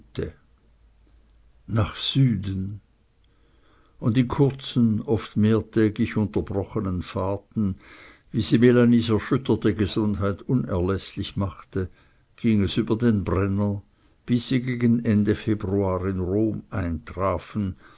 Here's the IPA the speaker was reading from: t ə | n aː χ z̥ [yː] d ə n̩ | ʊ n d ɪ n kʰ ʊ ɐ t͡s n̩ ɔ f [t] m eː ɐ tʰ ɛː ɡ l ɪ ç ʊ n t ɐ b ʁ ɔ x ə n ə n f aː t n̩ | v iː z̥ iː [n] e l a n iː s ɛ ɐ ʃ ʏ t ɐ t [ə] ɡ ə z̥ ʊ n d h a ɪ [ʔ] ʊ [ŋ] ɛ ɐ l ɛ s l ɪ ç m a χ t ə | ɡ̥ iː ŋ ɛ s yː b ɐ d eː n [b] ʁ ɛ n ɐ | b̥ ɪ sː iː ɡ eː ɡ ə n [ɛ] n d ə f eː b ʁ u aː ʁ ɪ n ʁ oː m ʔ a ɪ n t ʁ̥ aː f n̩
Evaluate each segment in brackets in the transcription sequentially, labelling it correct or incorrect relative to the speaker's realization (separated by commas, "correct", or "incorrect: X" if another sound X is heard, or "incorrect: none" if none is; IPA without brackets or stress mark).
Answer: correct, correct, incorrect: m, correct, incorrect: t, incorrect: n, correct, correct